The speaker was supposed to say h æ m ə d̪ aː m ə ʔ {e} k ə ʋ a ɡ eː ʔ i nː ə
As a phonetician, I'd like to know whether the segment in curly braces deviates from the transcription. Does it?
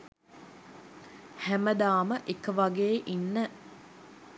no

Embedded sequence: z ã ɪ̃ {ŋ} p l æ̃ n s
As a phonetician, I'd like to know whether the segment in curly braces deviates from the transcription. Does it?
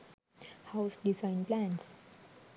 yes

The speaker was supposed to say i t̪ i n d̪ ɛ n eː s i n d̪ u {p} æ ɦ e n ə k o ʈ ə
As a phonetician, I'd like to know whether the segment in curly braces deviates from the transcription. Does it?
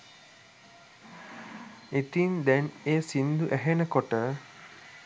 yes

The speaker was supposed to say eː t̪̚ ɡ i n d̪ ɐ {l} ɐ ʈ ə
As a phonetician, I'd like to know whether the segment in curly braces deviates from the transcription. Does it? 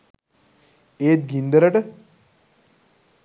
yes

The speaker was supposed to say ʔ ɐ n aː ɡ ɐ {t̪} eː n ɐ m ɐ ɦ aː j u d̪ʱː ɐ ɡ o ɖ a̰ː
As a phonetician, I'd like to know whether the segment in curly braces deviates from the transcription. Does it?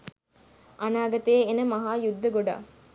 no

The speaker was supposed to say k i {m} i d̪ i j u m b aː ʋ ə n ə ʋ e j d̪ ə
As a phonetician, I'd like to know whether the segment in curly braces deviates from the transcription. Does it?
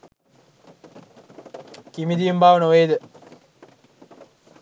no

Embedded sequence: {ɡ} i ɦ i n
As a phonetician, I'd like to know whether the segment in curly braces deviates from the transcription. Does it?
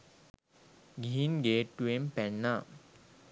no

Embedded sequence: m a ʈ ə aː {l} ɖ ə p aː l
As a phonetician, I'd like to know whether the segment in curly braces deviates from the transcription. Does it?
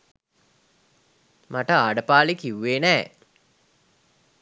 yes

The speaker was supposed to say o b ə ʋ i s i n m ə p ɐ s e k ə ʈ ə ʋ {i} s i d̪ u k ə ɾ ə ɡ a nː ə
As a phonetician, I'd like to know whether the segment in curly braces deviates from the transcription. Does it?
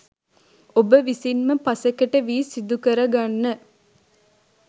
yes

